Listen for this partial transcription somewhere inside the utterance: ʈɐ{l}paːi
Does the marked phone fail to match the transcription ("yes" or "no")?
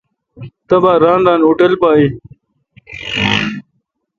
no